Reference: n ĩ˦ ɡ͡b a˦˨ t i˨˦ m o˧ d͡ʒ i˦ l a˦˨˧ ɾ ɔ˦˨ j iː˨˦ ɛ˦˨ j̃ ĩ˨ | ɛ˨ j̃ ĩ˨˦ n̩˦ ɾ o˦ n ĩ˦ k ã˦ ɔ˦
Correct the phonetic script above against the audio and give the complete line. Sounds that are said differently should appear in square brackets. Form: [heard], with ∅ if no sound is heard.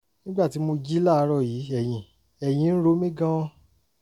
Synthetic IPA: n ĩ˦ ɡ͡b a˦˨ t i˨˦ m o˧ d͡ʒ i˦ l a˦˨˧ ɾ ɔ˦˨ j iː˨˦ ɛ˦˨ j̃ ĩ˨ | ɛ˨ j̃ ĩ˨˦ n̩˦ ɾ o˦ [m] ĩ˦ [ɡ] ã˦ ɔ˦